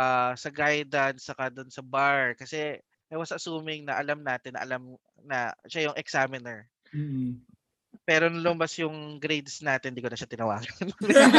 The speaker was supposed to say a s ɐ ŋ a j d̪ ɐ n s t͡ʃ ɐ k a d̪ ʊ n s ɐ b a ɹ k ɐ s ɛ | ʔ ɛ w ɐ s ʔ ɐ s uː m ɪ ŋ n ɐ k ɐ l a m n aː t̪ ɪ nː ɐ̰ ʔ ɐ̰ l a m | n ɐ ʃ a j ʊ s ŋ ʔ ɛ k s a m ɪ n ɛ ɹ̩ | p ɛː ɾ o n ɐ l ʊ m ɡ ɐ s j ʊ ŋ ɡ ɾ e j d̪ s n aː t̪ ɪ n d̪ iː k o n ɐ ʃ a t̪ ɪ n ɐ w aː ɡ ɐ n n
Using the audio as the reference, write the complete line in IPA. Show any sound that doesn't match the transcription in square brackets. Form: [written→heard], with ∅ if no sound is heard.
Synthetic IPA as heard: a s ɐ [ŋ→ɡ] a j d̪ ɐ n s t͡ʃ ɐ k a d̪ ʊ n s ɐ b a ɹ k ɐ s ɛ | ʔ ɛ w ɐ s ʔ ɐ s uː m ɪ ŋ n ɐ [k→ʔ] ɐ l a m n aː t̪ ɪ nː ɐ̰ ʔ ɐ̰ l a m | n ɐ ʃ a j ʊ [s→∅] ŋ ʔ ɛ k s a m ɪ n ɛ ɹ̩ | p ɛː ɾ o n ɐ l ʊ m [ɡ→b] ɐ s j ʊ ŋ ɡ ɾ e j d̪ s n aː t̪ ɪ n d̪ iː k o n ɐ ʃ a t̪ ɪ n ɐ w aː ɡ ɐ n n